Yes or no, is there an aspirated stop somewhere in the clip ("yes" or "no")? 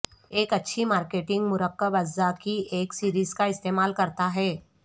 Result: no